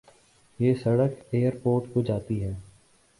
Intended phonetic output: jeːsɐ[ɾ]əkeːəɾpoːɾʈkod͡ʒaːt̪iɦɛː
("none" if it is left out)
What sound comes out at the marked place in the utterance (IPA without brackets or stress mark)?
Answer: ɽ